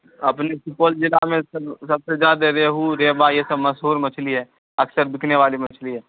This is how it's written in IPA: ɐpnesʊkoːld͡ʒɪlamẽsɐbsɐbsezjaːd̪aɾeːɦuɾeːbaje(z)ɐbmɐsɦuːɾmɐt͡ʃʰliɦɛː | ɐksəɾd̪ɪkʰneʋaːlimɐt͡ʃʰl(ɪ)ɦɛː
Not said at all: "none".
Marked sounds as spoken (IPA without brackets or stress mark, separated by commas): s, i